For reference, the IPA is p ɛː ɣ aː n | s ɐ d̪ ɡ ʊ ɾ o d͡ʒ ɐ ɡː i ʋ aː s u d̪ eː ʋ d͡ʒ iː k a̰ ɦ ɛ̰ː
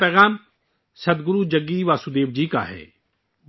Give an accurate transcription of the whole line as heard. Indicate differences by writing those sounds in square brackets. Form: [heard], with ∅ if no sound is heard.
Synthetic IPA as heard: p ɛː ɣ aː [m] | s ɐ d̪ ɡ ʊ ɾ [u] d͡ʒ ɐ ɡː i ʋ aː s u d̪ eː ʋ d͡ʒ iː k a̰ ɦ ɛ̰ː